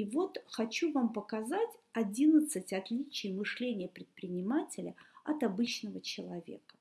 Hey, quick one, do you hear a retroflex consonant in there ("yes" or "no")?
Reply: yes